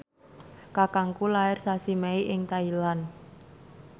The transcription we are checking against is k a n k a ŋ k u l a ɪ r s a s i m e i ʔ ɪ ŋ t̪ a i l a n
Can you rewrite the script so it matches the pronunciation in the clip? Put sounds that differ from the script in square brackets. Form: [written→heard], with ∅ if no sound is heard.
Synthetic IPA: k a [n→∅] k a ŋ k u l a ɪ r s a s i m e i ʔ ɪ ŋ t̪ a i l a n